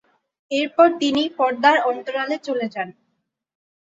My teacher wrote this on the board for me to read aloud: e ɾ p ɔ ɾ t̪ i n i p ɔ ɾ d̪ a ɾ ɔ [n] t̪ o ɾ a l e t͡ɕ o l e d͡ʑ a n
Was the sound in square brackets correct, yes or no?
yes